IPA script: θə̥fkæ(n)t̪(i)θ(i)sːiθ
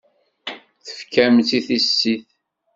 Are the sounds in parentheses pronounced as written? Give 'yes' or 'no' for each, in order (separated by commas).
no, yes, yes